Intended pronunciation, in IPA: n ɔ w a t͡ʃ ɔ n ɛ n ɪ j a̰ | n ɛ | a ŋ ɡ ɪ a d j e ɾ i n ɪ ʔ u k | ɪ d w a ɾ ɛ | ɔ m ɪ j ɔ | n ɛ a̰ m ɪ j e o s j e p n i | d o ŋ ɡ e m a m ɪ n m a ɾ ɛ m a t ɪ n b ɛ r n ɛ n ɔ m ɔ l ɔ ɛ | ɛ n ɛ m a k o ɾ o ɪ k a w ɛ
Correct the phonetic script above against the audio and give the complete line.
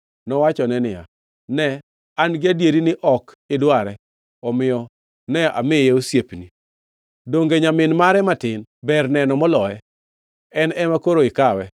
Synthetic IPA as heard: n ɔ w a t͡ʃ ɔ n ɛ n ɪ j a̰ | n ɛ | a n ɡ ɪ a d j e ɾ i n ɪ ʔ ɔ k | ɪ d w a ɾ ɛ | ɔ m ɪ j ɔ | n ɛ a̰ m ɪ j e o s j e p n i | d o ŋ ɡ e ɲ a m ɪ n m a ɾ ɛ m a t ɪ n b ɛ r n ɛ n ɔ m ɔ l ɔ ɛ | ɛ n ɛ m a k o ɾ o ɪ k a w ɛ